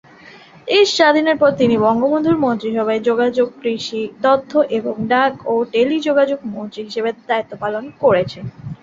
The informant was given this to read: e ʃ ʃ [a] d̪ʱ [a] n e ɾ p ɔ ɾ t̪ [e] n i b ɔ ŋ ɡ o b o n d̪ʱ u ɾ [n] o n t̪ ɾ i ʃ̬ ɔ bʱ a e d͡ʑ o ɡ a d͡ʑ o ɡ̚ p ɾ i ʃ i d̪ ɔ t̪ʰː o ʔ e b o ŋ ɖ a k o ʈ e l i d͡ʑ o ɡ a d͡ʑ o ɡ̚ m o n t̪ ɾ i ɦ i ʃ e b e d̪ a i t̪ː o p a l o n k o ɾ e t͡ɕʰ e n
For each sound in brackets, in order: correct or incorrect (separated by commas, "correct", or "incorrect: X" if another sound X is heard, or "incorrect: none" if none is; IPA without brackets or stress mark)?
correct, incorrect: i, incorrect: i, incorrect: m